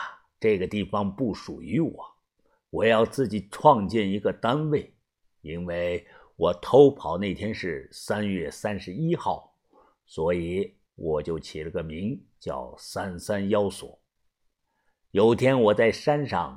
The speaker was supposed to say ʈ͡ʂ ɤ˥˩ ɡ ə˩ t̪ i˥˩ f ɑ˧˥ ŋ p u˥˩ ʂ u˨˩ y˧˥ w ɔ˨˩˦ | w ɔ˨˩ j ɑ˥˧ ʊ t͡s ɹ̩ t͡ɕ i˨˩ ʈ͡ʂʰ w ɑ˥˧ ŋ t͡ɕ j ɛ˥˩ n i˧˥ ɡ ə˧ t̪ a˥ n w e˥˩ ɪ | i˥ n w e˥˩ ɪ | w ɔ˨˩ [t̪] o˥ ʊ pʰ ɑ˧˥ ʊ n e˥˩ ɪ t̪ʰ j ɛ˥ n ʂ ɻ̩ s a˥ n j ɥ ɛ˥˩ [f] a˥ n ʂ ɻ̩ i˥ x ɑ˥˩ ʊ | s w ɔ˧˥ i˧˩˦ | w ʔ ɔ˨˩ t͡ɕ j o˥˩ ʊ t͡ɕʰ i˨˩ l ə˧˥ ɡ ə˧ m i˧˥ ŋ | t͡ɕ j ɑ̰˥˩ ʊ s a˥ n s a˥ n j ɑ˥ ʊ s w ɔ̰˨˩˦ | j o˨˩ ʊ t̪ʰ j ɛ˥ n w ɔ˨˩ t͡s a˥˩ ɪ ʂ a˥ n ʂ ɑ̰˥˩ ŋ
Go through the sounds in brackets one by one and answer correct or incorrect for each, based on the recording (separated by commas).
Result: incorrect, incorrect